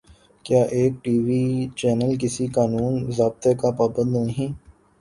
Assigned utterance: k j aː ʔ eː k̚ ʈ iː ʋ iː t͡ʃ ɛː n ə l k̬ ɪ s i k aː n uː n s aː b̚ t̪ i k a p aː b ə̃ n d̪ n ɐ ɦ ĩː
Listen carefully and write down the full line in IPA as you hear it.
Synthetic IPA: k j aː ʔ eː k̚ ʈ iː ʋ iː t͡ʃ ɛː n ə l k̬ ɪ s i k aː n uː n z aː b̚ t̪ e k a p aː b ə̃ n d̪ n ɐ ɦ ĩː